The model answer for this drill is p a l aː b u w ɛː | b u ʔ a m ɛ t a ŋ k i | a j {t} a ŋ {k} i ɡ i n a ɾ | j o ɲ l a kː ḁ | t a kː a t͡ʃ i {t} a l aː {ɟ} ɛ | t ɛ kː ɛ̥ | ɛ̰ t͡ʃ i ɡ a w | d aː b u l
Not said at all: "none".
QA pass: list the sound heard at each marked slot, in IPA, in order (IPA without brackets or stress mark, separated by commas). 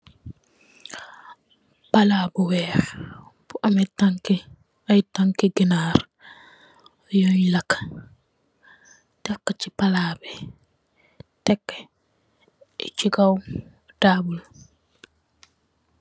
t, k, p, b